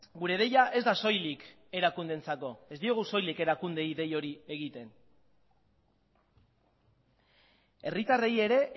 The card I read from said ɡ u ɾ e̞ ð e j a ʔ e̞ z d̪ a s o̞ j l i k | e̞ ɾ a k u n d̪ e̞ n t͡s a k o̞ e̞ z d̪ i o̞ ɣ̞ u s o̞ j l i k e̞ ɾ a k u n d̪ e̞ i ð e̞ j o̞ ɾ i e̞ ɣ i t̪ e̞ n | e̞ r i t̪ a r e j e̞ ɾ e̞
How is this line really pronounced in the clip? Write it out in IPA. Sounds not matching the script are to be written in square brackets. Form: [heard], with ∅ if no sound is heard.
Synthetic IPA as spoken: ɡ u ɾ e̞ ð e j a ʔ e̞ z d̪ a s o̞ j l i k | e̞ ɾ a k u n d̪ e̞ n t͡s a k o̞ e̞ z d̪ i o̞ ɣ̞ u s o̞ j l i k e̞ ɾ a k u n d̪ e̞ i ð e̞ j o̞ ɾ i e̞ ɣ i t̪ e̞ n | e̞ r i t̪ a r e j e̞ ɾ e̞

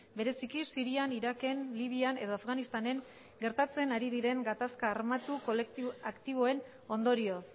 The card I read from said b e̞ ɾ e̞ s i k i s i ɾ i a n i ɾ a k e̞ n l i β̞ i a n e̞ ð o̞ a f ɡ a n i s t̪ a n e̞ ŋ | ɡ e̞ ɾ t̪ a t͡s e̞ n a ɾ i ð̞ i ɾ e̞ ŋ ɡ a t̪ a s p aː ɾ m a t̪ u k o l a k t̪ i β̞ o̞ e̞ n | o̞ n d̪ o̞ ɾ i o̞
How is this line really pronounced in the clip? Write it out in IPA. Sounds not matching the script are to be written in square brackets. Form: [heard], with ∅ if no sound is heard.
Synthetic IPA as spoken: b e̞ ɾ e̞ s i k i s i ɾ i a n i ɾ a k e̞ n l i β̞ i a n e̞ ð o̞ a f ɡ a n i s t̪ a n e̞ ŋ | ɡ e̞ ɾ t̪ a t͡s e̞ n a ɾ i ð̞ i ɾ e̞ ŋ ɡ a t̪ a s [k] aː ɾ m a t̪ u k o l a k t̪ i β̞ o̞ e̞ n | o̞ n d̪ o̞ ɾ i o̞

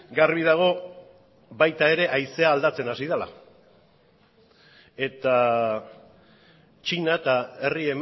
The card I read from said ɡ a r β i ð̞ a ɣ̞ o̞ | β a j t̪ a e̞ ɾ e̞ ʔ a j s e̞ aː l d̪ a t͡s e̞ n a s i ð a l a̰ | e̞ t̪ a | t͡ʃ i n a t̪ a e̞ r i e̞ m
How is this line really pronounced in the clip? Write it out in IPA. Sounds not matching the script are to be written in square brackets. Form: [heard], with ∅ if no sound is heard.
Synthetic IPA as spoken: ɡ a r β i ð̞ a ɣ̞ o̞ | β a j t̪ a e̞ ɾ e̞ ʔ a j s e̞ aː l d̪ a t͡s e̞ n a s i ð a l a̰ | e̞ t̪ a | t͡ʃ i n a t̪ a e̞ r i e̞ m

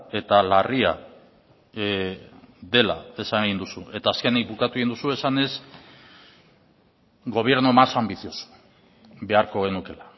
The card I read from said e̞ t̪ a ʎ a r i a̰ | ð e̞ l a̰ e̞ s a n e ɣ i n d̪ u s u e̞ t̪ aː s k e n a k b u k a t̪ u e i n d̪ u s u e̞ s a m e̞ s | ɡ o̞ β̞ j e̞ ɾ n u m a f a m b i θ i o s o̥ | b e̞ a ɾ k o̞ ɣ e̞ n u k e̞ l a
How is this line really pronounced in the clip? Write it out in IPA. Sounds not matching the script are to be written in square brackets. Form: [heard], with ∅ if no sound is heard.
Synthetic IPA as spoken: e̞ t̪ a [l] a r i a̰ | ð e̞ l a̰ e̞ s a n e ɣ i n d̪ u s u e̞ t̪ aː s k e n [i] k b u k a t̪ u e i n d̪ u s u e̞ s a [n] e̞ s | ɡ o̞ β̞ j e̞ ɾ n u m a [s] a m b i θ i o s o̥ | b e̞ a ɾ k o̞ ɣ e̞ n u k e̞ l a

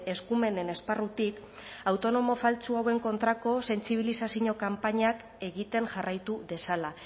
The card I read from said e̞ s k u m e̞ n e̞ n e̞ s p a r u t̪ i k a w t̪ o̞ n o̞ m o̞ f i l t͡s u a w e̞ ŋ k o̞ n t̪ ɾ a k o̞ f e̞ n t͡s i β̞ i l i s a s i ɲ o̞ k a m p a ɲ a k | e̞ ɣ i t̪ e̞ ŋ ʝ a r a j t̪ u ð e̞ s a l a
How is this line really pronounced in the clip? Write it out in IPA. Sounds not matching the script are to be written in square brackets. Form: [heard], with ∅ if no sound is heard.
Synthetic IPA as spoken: e̞ s k u m e̞ n e̞ n e̞ s p a r u t̪ i k a w t̪ o̞ n o̞ m o̞ f [a] l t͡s u a w e̞ ŋ k o̞ n t̪ ɾ a k o̞ [s] e̞ n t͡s i β̞ i l i s a s i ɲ o̞ k a m p a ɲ a k | e̞ ɣ i t̪ e̞ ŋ ʝ a r a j t̪ u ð e̞ s a l a

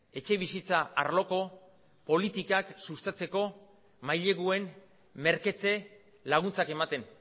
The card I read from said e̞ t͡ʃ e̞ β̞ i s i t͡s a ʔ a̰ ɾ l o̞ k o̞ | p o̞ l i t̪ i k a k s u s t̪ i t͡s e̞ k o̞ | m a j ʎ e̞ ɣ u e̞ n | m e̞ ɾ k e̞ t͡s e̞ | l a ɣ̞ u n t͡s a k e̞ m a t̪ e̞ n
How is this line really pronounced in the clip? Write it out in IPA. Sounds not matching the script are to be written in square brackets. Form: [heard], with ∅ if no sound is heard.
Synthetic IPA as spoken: e̞ t͡ʃ e̞ β̞ i s i t͡s a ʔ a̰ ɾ l o̞ k o̞ | p o̞ l i t̪ i k a k s u s t̪ [a] t͡s e̞ k o̞ | m a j ʎ e̞ ɣ u e̞ n | m e̞ ɾ k e̞ t͡s e̞ | l a ɣ̞ u n t͡s a k e̞ m a t̪ e̞ n

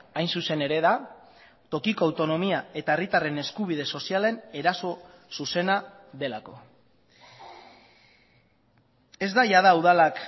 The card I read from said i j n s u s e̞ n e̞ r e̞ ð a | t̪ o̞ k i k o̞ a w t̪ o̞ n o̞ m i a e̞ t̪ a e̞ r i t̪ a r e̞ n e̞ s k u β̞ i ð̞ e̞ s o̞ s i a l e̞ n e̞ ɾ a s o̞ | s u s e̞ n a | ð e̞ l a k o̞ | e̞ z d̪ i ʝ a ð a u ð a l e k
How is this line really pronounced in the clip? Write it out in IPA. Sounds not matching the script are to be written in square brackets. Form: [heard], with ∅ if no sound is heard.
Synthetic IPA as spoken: [a] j n s u s e̞ n e̞ [ɾ] e̞ ð a | t̪ o̞ k i k o̞ a w t̪ o̞ n o̞ m i a e̞ t̪ a e̞ r i t̪ a r e̞ n e̞ s k u β̞ i ð̞ e̞ s o̞ s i a l e̞ n e̞ ɾ a s o̞ | s u s e̞ n a | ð e̞ l a k o̞ | e̞ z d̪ [a] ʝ a ð a u ð a l [a] k

